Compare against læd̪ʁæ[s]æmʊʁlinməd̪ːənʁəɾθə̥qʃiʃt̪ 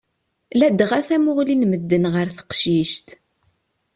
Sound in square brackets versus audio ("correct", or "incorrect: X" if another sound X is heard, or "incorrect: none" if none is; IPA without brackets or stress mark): incorrect: θ